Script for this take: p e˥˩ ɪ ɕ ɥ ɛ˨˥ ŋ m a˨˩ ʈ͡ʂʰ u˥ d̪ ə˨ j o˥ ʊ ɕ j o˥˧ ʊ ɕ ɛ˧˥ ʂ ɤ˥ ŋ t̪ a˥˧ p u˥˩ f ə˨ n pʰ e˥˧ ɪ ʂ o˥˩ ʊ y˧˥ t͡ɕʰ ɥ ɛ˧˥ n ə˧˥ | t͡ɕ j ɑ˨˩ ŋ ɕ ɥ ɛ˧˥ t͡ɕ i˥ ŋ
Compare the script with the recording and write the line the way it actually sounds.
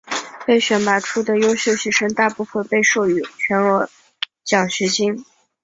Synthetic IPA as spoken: p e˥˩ ɪ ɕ ɥ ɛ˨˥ n m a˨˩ ʈ͡ʂʰ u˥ d̪ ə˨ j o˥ ʊ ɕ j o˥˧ ʊ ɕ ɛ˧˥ ʂ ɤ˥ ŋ t̪ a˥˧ p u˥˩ f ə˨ n p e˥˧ ɪ ʂ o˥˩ ʊ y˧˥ t͡ɕʰ ɥ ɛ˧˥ n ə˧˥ | t͡ɕ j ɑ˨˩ ŋ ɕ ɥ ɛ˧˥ t͡ɕ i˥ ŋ